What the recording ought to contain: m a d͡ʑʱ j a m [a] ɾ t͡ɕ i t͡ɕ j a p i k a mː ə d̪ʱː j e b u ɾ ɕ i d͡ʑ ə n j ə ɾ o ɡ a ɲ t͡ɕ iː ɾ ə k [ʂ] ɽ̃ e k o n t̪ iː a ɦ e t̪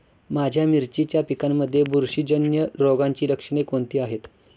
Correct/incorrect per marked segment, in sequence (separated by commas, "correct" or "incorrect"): incorrect, correct